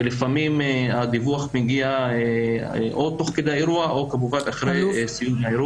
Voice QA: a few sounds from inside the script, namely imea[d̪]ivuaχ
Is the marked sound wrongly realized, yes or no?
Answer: no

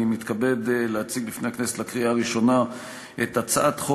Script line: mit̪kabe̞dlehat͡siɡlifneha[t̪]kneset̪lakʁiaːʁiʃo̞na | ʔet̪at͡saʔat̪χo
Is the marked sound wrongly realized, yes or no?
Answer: yes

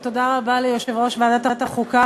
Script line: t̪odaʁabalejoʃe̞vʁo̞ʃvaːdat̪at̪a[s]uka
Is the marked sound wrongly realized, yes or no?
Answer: yes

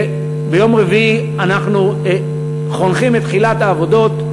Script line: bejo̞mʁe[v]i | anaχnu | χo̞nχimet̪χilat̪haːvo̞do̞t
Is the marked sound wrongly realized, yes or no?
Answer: no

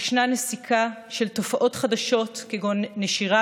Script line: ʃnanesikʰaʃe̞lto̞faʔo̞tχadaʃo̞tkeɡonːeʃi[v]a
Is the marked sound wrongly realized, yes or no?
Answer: yes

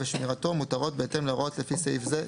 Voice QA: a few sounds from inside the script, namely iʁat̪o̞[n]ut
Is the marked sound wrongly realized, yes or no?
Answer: yes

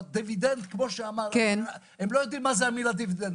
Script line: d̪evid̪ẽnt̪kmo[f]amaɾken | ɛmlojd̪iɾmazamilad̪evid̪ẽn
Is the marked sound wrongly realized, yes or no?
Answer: yes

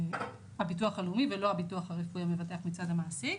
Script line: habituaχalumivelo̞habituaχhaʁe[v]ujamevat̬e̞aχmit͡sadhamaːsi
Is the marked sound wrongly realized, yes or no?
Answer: yes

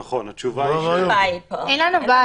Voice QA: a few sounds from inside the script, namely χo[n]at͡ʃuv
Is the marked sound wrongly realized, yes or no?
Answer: no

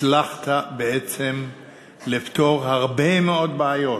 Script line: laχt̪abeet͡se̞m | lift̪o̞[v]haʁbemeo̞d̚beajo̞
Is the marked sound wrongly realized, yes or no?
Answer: yes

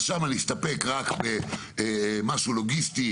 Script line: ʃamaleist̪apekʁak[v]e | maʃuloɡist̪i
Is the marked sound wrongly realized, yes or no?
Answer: yes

